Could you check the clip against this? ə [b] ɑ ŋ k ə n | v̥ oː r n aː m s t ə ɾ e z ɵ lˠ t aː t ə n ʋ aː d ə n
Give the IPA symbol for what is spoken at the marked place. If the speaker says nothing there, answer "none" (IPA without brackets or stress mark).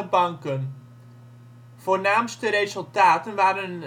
b